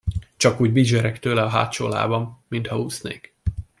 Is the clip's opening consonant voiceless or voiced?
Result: voiceless